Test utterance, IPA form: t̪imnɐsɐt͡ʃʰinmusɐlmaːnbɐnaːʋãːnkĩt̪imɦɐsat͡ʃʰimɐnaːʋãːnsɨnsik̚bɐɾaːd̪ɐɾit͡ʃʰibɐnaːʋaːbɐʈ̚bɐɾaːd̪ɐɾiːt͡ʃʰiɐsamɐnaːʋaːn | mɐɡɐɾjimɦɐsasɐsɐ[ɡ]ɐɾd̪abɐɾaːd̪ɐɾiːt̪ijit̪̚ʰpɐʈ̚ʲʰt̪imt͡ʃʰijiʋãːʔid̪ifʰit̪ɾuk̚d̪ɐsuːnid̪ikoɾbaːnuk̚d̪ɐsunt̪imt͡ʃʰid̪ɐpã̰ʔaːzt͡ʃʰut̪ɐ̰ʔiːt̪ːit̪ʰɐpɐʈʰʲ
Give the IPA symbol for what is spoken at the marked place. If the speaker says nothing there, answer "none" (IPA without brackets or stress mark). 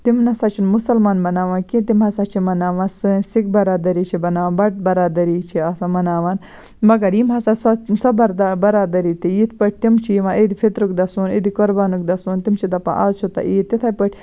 b